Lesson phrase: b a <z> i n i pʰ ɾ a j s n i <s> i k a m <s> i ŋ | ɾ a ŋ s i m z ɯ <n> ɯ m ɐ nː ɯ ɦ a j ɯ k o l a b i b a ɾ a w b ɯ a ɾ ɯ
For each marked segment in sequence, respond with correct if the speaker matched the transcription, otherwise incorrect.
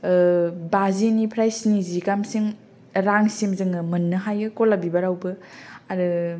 correct, incorrect: z, correct, incorrect: ŋ

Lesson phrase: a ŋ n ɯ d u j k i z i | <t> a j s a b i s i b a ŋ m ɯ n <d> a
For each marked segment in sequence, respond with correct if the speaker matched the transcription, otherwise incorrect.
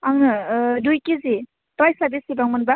correct, incorrect: b

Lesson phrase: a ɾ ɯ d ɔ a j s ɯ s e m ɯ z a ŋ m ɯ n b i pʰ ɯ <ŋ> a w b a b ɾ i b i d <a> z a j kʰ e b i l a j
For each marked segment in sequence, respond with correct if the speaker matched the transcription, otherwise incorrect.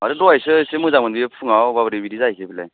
correct, incorrect: i

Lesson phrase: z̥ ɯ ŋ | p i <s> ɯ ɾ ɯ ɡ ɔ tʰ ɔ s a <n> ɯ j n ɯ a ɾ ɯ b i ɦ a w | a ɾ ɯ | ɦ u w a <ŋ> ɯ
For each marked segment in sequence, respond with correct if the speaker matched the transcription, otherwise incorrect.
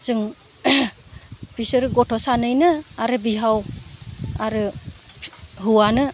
correct, correct, incorrect: n

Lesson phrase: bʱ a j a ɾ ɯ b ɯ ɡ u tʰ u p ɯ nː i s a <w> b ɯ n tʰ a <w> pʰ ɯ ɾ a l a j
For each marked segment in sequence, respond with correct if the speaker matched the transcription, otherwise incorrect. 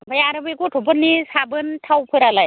incorrect: none, correct

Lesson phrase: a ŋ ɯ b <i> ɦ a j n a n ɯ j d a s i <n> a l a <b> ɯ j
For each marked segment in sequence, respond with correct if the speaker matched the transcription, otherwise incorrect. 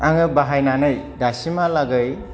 incorrect: a, incorrect: m, incorrect: ɡ

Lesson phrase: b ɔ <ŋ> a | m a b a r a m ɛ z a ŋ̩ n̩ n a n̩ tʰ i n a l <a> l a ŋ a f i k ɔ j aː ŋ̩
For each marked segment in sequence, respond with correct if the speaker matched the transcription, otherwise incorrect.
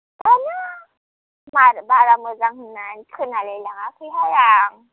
incorrect: n, incorrect: ɛ

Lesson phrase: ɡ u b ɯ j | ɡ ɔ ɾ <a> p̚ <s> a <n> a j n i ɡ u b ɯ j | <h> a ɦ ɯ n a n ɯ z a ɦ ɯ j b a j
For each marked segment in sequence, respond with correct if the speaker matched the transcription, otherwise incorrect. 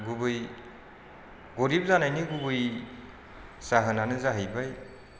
incorrect: i, incorrect: z, correct, incorrect: s

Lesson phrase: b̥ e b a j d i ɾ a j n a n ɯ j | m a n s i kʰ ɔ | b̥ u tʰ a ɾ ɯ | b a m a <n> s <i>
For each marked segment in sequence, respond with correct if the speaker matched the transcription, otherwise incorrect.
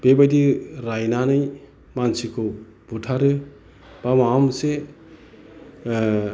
incorrect: m, incorrect: e

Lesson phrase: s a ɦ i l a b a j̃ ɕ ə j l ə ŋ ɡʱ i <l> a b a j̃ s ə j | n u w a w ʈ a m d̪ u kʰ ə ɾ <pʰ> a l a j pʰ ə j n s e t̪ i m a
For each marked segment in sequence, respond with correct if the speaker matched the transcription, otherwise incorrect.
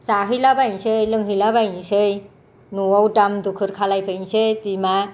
correct, incorrect: kʰ

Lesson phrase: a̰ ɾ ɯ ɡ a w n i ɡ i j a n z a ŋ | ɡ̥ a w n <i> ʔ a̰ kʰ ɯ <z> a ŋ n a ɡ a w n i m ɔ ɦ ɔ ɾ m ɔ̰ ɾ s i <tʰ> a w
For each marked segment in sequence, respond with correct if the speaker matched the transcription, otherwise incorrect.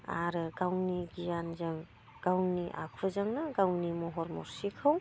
correct, correct, incorrect: kʰ

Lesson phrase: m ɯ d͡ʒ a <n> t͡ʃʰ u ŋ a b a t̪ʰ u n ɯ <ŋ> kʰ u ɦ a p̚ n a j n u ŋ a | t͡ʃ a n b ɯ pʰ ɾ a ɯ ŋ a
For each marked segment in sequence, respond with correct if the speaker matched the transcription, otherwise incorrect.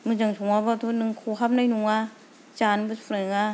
incorrect: ŋ, correct

